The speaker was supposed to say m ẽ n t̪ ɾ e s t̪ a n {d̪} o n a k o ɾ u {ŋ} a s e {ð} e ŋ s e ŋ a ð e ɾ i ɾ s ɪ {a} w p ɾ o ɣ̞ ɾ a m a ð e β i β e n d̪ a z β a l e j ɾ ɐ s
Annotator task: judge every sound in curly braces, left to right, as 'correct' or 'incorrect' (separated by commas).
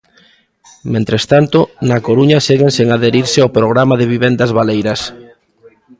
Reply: incorrect, incorrect, incorrect, correct